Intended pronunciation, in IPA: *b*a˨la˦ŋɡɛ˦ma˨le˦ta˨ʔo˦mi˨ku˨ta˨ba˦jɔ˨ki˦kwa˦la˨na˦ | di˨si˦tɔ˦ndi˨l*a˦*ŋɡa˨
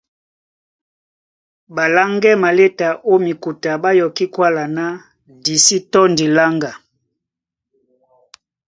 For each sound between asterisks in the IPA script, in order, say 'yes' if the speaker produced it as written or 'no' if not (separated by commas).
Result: yes, yes